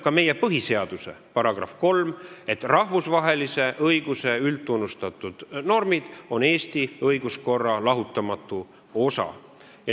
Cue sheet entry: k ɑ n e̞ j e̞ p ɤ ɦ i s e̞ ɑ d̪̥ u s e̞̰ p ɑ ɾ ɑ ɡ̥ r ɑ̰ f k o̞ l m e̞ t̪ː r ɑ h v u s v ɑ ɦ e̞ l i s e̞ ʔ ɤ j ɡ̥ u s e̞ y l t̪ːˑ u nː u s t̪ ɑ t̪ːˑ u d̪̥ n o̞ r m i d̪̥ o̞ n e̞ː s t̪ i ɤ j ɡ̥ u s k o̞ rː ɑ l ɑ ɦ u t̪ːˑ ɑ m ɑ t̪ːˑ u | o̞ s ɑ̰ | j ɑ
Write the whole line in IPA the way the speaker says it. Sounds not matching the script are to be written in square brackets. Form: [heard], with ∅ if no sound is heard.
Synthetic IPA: k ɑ [m] e̞ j e̞ p ɤ ɦ i s e̞ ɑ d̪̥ u s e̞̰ p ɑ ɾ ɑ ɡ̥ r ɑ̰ f k o̞ l m e̞ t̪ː r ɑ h v u s v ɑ ɦ e̞ l i s e̞ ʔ ɤ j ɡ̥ u s e̞ y l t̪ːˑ u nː u s t̪ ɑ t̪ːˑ u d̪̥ n o̞ r m i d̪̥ o̞ n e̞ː s t̪ i ɤ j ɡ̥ u s k o̞ rː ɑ l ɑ ɦ u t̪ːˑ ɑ m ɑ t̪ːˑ u | o̞ s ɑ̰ | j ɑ

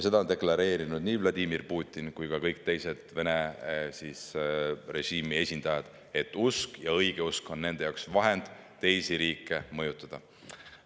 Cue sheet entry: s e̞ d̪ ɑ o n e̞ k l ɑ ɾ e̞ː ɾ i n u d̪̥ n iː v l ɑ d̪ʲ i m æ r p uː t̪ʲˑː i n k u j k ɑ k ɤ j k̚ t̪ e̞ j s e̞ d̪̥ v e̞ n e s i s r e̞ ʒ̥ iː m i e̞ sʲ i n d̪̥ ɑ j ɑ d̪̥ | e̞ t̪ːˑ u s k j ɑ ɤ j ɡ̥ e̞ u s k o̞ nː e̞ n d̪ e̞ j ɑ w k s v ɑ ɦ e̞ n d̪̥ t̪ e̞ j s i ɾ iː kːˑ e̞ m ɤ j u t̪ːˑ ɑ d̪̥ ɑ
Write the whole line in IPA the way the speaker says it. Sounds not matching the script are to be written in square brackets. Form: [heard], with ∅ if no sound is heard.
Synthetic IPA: s e̞ d̪ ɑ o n e̞ k l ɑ ɾ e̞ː ɾ i n u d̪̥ n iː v l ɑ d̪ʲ i m [i] r p uː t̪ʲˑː i n k u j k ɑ k ɤ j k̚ t̪ e̞ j s e̞ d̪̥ v e̞ n e s i s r e̞ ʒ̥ iː m i e̞ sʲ i n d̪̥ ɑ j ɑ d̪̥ | e̞ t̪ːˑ u s k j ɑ ɤ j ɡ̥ e̞ u s k o̞ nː e̞ n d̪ e̞ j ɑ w k s v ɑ ɦ e̞ n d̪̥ t̪ e̞ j s i ɾ iː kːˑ e̞ m ɤ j u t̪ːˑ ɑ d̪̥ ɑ

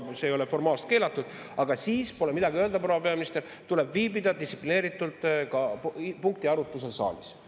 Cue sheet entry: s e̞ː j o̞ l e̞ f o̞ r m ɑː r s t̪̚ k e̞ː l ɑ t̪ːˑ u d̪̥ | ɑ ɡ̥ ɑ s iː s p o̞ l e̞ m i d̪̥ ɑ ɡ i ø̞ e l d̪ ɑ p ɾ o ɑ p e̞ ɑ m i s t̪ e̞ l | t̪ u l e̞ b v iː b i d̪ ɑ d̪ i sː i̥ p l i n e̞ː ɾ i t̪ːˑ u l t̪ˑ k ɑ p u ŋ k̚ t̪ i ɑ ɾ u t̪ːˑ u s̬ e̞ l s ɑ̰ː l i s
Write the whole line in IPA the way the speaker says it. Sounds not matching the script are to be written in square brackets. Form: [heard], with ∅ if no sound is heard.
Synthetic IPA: s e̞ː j o̞ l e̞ f o̞ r m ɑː [l] s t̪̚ k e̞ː l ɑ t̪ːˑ u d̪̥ | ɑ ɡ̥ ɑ s iː s p o̞ l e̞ m i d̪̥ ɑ ɡ i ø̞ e l d̪ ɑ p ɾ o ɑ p e̞ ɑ m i s t̪ e̞ l | t̪ u l e̞ b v iː b i d̪ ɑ d̪ i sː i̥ p l i n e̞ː ɾ i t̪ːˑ u l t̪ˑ k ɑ p u ŋ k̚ t̪ i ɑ ɾ u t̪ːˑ u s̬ e̞ l s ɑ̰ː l i s

